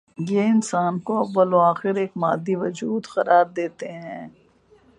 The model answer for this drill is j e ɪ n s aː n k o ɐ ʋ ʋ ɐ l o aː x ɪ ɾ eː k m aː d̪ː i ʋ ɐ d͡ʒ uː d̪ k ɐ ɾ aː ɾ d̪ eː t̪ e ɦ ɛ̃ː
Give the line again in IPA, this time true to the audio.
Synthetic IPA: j e ɪ n s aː n k o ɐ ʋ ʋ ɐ l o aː x ɪ ɾ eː k m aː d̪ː i ʋ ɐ d͡ʒ uː d̪ x ɐ ɾ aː ɾ d̪ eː t̪ e ɦ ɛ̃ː